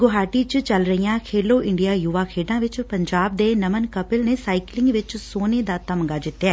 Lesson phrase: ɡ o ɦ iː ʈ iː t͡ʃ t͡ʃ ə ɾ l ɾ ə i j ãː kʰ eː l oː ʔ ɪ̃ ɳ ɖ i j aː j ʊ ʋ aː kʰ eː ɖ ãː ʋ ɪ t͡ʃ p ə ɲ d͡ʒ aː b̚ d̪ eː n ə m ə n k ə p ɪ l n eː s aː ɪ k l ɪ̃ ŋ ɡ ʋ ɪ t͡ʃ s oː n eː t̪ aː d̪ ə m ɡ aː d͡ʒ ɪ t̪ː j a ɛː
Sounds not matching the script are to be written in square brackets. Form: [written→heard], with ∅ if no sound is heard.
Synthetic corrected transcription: ɡ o ɦ [iː→aː] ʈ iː t͡ʃ t͡ʃ ə [ɾ→∅] l ɾ ə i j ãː kʰ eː l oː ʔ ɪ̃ ɳ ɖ i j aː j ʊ ʋ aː kʰ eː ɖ ãː ʋ ɪ t͡ʃ p ə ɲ d͡ʒ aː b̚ d̪ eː n ə m ə n k ə p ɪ l n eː s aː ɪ k l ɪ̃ ŋ ɡ ʋ ɪ t͡ʃ s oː n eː [t̪→d̪] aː [d̪→t̪] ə m ɡ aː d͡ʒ ɪ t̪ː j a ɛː